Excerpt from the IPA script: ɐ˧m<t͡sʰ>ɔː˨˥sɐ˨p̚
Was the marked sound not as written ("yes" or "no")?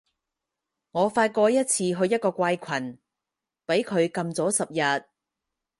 yes